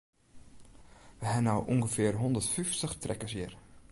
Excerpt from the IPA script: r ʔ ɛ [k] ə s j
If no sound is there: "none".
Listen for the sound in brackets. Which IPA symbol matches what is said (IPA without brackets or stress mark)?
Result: k